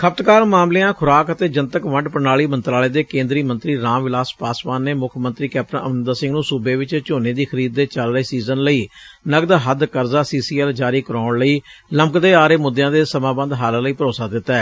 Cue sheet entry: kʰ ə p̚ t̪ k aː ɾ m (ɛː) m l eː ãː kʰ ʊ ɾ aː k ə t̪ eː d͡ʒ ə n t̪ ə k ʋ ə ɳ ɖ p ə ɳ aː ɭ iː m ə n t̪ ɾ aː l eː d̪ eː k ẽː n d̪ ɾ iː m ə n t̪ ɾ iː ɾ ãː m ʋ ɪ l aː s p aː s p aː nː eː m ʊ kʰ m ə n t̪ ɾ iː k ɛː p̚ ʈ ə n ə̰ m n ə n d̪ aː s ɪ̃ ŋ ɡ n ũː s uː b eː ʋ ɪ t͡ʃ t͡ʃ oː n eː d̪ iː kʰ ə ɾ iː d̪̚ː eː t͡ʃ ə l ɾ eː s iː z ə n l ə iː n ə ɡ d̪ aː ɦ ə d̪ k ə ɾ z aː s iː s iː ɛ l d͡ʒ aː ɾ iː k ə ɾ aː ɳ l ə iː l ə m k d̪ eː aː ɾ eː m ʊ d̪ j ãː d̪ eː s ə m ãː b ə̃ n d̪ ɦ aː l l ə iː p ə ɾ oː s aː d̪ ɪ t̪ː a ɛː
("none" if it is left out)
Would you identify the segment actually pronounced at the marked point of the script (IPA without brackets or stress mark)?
aː